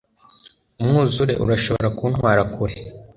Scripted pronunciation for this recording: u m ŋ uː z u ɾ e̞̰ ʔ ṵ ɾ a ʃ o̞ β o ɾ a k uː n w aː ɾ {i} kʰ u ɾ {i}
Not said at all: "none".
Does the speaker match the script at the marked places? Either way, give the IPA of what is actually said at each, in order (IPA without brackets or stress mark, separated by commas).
a, e